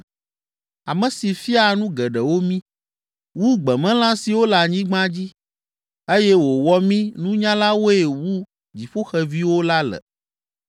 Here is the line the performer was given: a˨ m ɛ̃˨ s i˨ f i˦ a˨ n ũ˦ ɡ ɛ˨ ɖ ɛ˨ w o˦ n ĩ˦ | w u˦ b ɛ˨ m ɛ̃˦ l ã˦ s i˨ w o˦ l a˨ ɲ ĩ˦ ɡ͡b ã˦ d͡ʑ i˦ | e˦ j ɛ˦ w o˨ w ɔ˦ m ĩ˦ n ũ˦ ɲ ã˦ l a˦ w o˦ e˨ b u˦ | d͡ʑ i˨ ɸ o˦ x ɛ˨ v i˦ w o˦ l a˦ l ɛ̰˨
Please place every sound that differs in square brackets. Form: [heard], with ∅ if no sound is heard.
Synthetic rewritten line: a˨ m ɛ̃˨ s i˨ f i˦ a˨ n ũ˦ ɡ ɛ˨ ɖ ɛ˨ w o˦ [m] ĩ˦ | w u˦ [ɡ͡b] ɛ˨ m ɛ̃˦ l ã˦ s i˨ w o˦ l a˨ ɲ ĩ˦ ɡ͡b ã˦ d͡ʑ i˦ | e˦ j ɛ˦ w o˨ w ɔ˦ m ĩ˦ n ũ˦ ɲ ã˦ l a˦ w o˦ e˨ [w] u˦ | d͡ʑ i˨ ɸ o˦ x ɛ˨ v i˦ w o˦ l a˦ l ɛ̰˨